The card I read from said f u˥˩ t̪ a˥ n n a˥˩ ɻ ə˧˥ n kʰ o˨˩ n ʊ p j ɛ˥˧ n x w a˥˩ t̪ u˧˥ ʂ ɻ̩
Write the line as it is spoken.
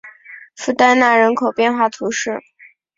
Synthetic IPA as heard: f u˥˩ t̪ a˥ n n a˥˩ ɻ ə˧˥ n kʰ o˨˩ ʊ p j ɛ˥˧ n x w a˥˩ t̪ʰ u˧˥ ʂ ɻ̩